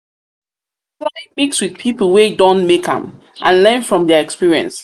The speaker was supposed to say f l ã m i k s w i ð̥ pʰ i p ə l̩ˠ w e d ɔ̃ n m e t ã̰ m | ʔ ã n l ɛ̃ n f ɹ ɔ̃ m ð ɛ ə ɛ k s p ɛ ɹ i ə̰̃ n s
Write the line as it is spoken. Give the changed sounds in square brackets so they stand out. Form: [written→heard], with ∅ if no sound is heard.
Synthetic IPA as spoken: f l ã m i k s w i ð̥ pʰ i p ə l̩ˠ w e d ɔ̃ n m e [t→k] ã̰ m | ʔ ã n l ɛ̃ n f ɹ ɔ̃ m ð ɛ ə ɛ k s p [ɛ→i] ɹ i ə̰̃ n s